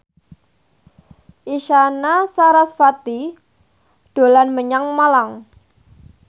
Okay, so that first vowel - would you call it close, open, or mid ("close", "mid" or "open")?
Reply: close